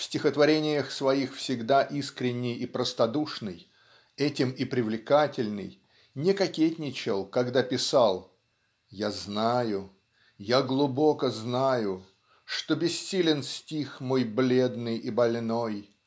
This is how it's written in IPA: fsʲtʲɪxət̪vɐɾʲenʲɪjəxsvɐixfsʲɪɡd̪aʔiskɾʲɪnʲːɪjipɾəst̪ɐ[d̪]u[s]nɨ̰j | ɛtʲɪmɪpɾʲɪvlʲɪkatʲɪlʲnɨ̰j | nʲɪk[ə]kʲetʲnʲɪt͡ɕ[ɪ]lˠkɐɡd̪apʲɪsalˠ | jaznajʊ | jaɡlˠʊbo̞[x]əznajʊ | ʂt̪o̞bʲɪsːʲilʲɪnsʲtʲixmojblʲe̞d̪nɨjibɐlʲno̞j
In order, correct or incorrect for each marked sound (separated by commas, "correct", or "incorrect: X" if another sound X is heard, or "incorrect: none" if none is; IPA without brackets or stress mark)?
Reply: correct, incorrect: ʂ, incorrect: ɐ, correct, incorrect: k